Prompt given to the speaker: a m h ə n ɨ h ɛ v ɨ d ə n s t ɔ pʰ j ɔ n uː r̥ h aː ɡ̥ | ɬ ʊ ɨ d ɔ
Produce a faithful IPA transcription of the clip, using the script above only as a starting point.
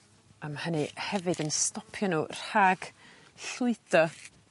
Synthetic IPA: a m h ə n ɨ h ɛ v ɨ d ə n s t ɔ pʰ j ɔ n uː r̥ h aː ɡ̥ | ɬ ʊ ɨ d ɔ